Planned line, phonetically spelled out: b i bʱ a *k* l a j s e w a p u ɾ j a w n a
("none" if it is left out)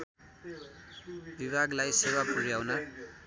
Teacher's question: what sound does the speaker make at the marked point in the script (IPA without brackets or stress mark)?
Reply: ɡ